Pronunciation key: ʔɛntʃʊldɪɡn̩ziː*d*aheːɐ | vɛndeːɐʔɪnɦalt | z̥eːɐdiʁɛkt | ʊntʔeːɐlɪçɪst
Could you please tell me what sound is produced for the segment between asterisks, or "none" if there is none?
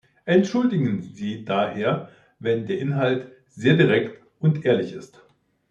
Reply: d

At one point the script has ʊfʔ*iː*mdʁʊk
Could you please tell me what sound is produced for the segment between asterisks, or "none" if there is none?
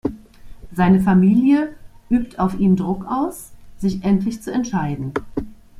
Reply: iː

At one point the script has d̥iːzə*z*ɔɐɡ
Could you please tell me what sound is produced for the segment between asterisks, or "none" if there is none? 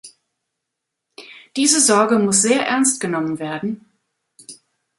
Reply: z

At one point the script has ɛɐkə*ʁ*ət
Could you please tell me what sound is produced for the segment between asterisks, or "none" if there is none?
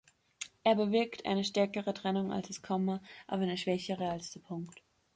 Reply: ʁ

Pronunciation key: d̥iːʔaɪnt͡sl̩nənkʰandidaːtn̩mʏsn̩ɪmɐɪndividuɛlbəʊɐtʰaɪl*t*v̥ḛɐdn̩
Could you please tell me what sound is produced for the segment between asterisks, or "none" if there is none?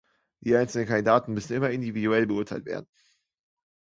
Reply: t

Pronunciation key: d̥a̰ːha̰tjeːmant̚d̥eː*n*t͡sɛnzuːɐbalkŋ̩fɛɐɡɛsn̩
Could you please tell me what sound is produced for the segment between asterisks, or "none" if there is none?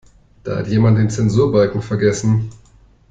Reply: n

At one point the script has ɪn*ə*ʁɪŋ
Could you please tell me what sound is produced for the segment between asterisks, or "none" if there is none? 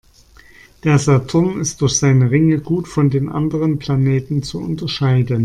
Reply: ə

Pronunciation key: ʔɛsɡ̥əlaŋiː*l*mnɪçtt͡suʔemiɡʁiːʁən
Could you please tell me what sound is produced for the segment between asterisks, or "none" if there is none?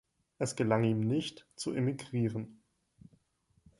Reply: none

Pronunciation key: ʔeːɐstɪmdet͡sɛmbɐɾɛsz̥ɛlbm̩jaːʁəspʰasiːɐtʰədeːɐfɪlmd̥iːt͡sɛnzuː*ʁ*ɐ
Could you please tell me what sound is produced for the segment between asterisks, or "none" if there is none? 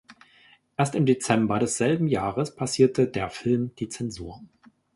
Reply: none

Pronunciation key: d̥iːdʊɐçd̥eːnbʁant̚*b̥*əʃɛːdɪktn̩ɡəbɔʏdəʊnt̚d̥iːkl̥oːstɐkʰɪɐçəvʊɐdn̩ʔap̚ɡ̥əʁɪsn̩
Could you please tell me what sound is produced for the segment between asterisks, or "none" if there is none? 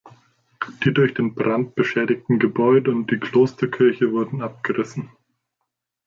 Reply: b̥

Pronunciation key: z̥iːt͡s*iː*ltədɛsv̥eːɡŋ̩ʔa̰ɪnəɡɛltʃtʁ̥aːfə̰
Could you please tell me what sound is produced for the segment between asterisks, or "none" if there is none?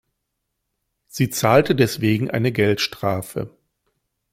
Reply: aː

